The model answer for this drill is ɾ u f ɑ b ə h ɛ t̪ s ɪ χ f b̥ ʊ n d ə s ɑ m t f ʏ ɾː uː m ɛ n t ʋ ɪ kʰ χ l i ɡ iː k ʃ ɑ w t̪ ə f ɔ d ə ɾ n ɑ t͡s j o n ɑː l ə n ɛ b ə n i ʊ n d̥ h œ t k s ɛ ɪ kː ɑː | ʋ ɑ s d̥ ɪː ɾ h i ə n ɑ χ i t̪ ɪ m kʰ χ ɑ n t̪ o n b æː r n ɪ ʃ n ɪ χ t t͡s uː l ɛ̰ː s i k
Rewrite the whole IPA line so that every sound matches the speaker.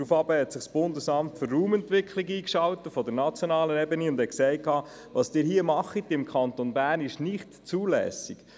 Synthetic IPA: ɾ u f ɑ b ə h ɛ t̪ s ɪ χ s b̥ ʊ n d ə s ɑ m t f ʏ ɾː uː m ɛ n t ʋ ɪ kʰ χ l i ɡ iː k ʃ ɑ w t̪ ə f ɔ d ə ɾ n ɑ t͡s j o n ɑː l ə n ɛ b ə n i ʊ n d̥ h ɛ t k s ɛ ɪ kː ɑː | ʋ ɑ s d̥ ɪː ɾ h i ə m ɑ χ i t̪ ɪ m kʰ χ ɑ n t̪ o n b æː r n ɪ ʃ n ɪ χ t t͡s uː l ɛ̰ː s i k